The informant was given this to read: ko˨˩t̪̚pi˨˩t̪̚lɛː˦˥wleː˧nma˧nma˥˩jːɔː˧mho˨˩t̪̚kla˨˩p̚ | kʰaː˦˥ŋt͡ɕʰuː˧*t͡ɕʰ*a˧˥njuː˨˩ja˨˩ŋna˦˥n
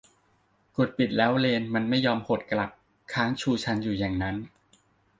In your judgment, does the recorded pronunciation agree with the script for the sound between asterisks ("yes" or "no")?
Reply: yes